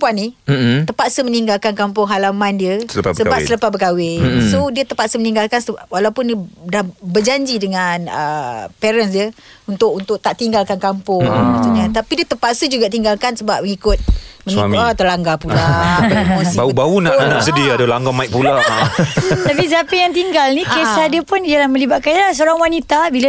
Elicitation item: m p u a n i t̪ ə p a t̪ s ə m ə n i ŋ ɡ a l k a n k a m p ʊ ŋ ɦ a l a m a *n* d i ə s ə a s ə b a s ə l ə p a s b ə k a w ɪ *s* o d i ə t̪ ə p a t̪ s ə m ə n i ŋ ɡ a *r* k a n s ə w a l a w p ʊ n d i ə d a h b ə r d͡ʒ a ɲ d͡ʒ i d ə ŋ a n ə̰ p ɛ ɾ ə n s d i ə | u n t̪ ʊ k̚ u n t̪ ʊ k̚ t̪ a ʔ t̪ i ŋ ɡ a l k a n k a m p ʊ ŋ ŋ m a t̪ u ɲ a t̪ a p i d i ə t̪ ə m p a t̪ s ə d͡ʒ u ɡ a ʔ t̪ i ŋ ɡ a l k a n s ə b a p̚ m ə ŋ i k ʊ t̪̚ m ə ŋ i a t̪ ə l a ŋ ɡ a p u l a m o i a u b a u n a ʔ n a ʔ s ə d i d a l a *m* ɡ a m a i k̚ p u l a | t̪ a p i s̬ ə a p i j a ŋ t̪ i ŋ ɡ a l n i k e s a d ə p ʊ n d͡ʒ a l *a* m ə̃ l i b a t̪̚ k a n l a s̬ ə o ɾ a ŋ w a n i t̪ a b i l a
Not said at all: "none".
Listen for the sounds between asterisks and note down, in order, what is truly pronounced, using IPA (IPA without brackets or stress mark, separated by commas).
n, s, l, ŋ, a